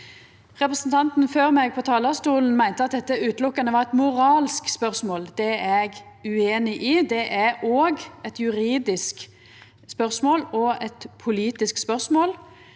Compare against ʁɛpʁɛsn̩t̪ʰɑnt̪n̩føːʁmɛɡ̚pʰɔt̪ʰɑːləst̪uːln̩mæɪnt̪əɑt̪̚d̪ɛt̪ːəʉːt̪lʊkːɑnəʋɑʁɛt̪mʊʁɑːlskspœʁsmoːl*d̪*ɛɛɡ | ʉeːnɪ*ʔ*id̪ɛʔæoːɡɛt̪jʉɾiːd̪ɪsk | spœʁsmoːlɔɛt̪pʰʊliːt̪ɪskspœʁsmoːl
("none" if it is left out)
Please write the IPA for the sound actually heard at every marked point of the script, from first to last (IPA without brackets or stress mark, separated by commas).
d̪, ʔ